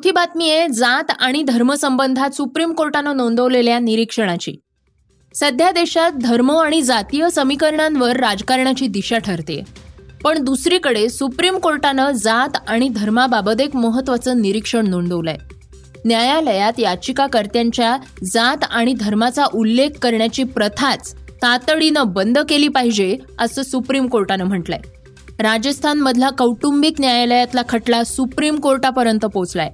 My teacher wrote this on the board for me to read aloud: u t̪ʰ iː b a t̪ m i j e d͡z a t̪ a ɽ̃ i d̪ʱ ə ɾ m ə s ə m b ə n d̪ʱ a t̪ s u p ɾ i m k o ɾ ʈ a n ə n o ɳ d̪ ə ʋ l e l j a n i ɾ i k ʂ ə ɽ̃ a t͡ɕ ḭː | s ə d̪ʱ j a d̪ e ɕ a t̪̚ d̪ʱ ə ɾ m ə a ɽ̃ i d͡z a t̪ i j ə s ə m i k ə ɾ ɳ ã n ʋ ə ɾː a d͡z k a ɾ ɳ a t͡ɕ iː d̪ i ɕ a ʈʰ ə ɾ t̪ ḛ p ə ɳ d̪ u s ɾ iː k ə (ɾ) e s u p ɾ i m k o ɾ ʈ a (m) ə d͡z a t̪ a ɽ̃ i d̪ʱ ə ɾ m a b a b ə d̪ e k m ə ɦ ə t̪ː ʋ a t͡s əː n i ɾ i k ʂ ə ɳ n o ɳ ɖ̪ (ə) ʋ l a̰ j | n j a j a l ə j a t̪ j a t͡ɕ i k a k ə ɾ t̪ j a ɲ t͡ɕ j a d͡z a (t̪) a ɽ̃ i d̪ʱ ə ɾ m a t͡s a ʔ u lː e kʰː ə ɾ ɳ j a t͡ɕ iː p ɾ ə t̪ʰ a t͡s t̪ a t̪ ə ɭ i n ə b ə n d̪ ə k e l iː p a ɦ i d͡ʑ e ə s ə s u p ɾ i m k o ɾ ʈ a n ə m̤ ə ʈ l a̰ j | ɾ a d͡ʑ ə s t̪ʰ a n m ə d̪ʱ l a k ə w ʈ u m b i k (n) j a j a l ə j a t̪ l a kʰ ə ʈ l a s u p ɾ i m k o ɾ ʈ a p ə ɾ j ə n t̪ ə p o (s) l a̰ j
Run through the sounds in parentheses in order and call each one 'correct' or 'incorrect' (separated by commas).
incorrect, incorrect, correct, correct, correct, incorrect